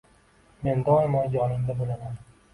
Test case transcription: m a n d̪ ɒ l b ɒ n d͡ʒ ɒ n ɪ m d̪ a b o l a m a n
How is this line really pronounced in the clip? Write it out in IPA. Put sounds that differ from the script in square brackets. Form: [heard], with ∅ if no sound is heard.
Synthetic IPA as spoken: m [e] n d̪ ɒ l [m] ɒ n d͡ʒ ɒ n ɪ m d̪ a b o l a m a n